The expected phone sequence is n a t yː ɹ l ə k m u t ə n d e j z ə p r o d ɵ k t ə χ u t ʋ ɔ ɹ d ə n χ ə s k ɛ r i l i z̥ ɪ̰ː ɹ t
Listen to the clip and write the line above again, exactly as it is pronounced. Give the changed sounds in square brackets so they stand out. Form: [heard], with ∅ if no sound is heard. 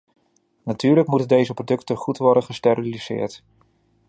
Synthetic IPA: n a t yː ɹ l ə k m u t ə n d e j z ə p r o d ɵ k t ə χ u t ʋ ɔ ɹ d ə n χ ə s [t] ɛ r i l i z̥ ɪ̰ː ɹ t